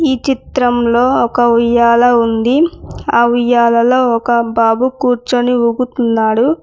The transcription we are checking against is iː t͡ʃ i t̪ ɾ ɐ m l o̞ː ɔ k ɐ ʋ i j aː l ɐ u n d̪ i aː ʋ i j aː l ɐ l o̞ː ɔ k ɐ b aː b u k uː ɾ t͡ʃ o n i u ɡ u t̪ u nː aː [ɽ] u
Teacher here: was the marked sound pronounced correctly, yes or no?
yes